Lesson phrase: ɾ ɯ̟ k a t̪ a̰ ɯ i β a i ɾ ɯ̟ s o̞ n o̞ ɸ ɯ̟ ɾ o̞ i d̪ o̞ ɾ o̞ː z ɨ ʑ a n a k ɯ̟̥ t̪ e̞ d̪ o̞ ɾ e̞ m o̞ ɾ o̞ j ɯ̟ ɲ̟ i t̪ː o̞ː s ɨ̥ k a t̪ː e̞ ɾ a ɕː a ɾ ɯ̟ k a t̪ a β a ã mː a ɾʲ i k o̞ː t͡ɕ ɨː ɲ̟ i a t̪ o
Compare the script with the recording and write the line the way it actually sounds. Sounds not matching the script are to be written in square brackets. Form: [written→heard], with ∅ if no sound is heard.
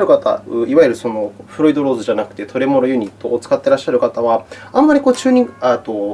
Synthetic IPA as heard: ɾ ɯ̟ k a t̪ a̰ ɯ i β a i ɾ ɯ̟ s o̞ n o̞ ɸ ɯ̟ ɾ o̞ i d̪ o̞ ɾ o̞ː z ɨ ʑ a n a k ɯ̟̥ t̪ e̞ [d̪→t̪] o̞ ɾ e̞ m o̞ ɾ o̞ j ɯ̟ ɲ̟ i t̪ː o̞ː [s→t͡s] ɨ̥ k a t̪ː e̞ ɾ a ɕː a ɾ ɯ̟ k a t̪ a β a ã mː a ɾʲ i k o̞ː t͡ɕ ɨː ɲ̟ i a t̪ o